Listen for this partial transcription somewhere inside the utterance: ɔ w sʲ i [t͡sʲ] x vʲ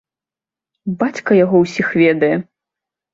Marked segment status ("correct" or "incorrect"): incorrect